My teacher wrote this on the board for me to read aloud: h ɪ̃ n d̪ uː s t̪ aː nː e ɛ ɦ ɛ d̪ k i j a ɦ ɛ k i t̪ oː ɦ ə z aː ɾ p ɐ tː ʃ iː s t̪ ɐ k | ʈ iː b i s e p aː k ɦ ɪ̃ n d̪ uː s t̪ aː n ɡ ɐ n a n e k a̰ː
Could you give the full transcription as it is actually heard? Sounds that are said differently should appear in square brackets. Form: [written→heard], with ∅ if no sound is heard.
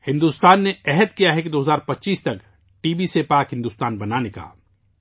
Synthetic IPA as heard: h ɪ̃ n d̪ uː s t̪ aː nː e ɛ ɦ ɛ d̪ k i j a ɦ ɛ k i [t̪→d̪] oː ɦ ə z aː ɾ p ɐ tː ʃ iː s t̪ ɐ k | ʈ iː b i s e p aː k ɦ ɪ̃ n d̪ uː s t̪ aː n [ɡ→b] ɐ n a n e k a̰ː